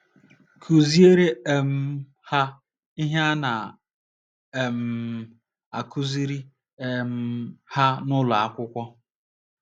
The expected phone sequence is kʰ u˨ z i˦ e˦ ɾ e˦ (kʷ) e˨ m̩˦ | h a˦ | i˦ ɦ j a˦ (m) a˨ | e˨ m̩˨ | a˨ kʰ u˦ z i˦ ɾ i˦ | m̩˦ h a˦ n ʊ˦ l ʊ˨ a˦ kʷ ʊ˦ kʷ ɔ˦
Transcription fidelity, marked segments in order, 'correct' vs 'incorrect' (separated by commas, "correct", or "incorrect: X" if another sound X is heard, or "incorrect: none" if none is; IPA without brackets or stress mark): incorrect: none, incorrect: n